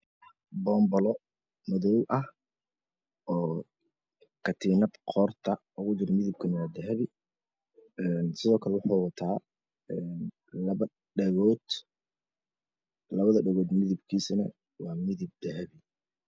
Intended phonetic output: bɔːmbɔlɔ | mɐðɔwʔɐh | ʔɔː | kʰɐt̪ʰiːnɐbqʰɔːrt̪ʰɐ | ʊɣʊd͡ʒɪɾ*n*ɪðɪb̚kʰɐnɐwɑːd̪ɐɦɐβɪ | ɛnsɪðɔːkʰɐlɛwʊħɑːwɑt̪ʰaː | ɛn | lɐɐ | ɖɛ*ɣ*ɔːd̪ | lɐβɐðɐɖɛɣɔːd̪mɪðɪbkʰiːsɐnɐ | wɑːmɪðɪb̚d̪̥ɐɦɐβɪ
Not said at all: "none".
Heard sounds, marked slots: m, ɣ

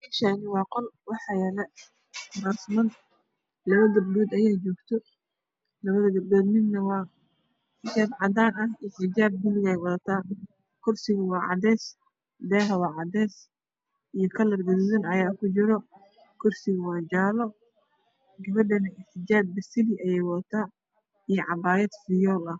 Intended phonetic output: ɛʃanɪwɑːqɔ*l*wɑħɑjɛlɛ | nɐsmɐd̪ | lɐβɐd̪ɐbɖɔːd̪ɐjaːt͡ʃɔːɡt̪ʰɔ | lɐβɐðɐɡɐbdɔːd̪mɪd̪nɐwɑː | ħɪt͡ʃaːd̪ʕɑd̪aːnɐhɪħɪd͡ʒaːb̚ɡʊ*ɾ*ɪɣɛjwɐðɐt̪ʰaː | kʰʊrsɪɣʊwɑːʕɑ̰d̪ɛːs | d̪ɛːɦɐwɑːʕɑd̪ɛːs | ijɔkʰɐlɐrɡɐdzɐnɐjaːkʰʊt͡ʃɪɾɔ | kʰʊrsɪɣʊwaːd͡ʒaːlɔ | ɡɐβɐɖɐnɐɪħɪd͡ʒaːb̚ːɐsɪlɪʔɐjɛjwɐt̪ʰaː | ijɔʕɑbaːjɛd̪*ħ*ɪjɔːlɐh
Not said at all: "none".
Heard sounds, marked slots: l, l, f

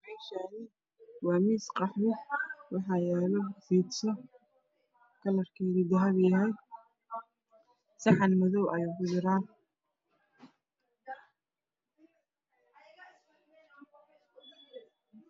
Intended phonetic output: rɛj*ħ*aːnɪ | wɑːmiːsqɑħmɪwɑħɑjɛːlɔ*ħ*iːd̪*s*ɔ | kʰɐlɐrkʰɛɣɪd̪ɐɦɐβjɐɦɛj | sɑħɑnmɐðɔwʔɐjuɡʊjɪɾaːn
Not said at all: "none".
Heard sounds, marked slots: ʃ, f, s

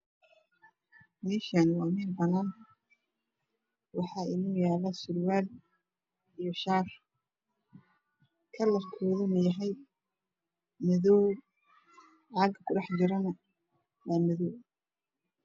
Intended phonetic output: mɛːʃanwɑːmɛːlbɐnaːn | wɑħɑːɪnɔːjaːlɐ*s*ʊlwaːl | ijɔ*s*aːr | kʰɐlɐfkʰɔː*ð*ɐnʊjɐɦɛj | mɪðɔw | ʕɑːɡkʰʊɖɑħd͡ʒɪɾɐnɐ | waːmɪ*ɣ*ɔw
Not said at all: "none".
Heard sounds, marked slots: s, ʃ, ð, ð

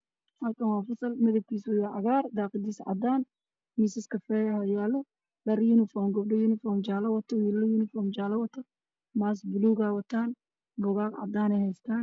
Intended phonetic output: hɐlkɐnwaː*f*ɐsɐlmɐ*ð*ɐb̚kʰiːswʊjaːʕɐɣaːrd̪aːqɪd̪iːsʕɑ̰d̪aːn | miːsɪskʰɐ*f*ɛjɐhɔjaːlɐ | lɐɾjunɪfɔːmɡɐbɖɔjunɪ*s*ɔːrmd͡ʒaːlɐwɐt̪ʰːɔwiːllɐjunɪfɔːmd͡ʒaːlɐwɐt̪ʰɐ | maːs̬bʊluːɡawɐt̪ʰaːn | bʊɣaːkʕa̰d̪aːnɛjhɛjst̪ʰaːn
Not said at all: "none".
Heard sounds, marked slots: f, ð, f, f

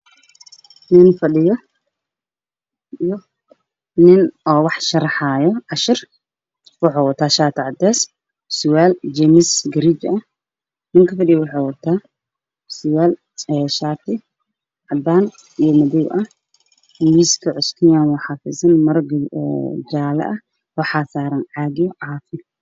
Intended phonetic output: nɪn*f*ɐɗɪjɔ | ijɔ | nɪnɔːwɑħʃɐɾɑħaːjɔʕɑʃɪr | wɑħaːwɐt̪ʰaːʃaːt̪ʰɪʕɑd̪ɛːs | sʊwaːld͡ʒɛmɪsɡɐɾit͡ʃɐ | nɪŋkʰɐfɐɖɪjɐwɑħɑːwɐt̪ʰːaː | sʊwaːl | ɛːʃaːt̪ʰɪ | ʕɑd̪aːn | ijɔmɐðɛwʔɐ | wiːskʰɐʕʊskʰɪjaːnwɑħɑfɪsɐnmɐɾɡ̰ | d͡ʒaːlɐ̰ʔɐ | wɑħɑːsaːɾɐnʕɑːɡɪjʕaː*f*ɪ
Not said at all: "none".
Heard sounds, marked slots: f, f

